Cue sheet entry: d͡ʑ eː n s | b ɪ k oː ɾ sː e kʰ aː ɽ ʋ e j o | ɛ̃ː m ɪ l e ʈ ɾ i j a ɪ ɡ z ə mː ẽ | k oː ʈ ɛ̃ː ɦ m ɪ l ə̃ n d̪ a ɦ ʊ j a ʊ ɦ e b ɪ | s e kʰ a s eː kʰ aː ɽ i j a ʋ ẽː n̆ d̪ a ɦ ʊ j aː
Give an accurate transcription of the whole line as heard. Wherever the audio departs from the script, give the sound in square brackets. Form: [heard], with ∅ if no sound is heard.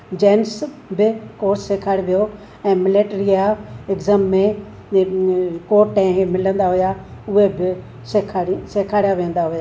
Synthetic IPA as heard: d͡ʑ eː n s | b ɪ k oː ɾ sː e kʰ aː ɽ ʋ [i] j o | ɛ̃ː m ɪ l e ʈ ɾ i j a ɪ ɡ z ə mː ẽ | k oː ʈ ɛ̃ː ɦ m ɪ l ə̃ n d̪ a ɦ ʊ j a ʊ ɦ e b ɪ | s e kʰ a s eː kʰ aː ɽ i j a ʋ ẽː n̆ d̪ a ɦ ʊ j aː